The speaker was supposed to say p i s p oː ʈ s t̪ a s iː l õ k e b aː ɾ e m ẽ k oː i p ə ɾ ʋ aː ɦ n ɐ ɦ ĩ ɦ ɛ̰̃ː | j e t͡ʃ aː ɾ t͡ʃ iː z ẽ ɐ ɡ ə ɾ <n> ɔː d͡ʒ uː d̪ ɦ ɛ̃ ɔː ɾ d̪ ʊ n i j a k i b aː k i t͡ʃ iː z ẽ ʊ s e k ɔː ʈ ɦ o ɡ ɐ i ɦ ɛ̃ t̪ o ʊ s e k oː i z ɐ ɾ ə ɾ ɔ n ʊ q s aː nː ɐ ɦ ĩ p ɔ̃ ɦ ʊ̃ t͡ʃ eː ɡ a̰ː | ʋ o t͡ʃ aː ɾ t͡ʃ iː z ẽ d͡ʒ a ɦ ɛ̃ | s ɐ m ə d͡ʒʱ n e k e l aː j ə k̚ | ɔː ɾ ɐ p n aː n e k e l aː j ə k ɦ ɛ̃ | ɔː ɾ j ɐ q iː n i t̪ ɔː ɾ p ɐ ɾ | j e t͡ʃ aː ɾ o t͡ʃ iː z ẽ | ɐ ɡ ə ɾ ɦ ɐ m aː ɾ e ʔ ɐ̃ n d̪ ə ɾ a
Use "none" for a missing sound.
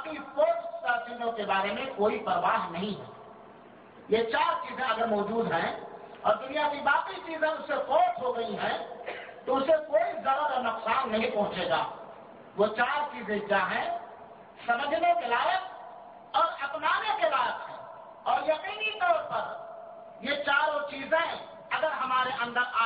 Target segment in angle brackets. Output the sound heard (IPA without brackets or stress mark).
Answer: m